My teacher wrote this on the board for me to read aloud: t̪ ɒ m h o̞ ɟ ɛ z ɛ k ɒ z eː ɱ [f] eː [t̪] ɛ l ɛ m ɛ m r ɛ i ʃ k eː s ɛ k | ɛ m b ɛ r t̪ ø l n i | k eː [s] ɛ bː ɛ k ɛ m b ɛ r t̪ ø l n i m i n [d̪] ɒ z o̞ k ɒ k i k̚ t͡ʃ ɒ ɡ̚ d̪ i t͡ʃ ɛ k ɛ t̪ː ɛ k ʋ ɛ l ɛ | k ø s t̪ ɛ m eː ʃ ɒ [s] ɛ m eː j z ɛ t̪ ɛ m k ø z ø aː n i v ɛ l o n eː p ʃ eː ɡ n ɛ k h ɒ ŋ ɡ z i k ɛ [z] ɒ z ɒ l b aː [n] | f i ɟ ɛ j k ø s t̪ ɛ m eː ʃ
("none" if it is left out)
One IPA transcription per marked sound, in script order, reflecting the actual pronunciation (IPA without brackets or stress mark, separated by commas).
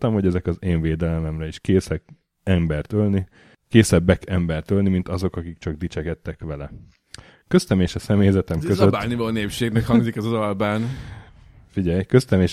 v, d̪, s, t̪, s, z, n